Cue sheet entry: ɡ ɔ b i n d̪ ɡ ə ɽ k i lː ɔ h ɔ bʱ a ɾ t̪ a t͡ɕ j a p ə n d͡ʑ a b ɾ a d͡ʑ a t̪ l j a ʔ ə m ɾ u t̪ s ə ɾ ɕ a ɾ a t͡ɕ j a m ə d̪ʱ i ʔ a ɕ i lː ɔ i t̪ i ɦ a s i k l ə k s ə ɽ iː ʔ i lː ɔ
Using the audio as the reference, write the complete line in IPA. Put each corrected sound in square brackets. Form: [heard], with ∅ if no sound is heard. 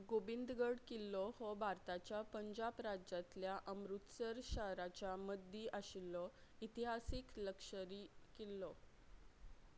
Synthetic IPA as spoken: ɡ [o] b i n d̪ ɡ ə ɽ k i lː ɔ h ɔ bʱ a ɾ t̪ a t͡ɕ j a p ə [ɲ] d͡ʑ a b ɾ a d͡ʑ a t̪ l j a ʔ ə m ɾ u t̪ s ə ɾ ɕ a ɾ a t͡ɕ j a m ə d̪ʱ i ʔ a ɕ i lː ɔ i t̪ i ɦ a s i k l ə k [ʂ] ə [ɾ] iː [k] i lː ɔ